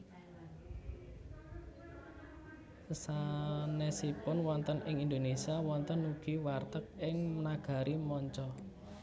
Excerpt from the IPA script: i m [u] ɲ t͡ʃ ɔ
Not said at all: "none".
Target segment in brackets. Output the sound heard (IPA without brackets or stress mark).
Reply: ɔ